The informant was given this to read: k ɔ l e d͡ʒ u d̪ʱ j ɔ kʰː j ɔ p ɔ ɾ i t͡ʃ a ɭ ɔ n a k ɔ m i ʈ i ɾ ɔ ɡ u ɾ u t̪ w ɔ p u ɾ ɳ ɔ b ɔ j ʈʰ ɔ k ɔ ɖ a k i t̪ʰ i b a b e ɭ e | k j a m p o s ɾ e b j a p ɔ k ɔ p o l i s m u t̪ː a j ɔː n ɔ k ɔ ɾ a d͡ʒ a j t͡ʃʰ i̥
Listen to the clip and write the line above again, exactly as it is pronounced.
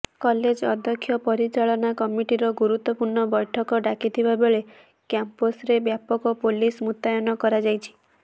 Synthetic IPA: k ɔ l e d͡ʒ ɔ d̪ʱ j ɔ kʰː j ɔ p ɔ ɾ i t͡ʃ a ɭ ɔ n a k ɔ m i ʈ i ɾ ɔ ɡ u ɾ u t̪ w ɔ p u ɾ ɳ ɔ b ɔ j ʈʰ ɔ k ɔ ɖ a k i t̪ʰ i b a b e ɭ e | k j a m p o s ɾ e b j a p ɔ k ɔ p o l i s m u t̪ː a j ɔ n ɔ k ɔ ɾ a d͡ʒ a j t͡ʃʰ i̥